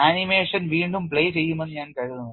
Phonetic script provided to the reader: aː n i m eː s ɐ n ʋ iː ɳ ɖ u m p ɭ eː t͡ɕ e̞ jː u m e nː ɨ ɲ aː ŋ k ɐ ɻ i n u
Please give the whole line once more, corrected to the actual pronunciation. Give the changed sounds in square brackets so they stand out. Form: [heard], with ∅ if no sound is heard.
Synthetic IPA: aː n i m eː [ʂ] ɐ n ʋ iː ɳ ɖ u m p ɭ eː t͡ɕ e̞ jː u m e nː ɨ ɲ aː [n] k ɐ ɻ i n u